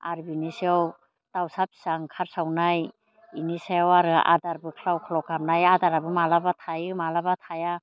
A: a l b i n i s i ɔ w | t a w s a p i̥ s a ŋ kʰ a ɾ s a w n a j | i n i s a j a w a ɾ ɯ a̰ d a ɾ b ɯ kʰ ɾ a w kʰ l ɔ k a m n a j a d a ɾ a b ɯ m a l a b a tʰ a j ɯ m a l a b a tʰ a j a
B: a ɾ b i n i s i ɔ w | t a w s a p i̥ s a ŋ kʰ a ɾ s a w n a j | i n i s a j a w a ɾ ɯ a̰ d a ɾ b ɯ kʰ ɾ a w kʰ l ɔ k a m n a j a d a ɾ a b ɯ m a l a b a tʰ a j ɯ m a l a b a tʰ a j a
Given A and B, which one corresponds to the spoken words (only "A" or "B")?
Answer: B